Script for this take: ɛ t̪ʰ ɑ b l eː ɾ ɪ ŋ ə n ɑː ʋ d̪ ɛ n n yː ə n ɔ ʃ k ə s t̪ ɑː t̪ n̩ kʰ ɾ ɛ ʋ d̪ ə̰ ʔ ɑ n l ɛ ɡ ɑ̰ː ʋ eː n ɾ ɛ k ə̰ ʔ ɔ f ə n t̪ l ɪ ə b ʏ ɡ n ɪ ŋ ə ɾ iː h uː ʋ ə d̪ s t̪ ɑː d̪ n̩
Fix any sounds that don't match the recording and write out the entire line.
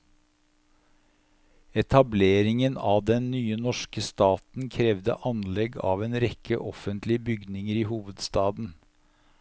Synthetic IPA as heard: ɛ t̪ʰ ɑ b l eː ɾ ɪ ŋ ə n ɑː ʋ d̪ ɛ n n yː ə n ɔ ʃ k ə s t̪ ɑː t̪ n̩ kʰ ɾ ɛ ʋ d̪ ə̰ ʔ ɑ n l ɛ ɡ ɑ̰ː ʋ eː n ɾ ɛ k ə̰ ʔ ɔ f ə n t̪ l ɪ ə b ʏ ɡ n ɪ ŋ ə ɾ iː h uː ʋ ə d̪ s t̪ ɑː d̪ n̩